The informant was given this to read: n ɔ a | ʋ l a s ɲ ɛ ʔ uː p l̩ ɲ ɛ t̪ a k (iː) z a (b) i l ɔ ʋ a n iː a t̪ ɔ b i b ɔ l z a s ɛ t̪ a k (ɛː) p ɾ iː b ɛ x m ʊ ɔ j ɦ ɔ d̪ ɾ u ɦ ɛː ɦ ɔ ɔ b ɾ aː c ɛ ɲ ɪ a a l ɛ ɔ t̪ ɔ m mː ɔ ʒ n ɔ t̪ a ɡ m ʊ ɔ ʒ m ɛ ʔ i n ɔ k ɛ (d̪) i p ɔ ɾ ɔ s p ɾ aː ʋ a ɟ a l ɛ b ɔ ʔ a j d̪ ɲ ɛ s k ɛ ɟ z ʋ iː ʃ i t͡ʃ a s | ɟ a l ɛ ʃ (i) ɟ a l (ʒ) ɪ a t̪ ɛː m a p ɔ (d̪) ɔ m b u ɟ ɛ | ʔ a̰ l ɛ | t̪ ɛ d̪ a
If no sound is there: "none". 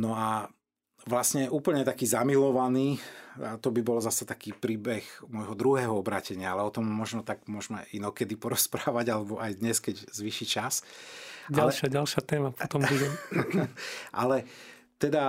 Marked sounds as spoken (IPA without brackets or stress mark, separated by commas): iː, m, iː, d̪, a, ʃ, t̪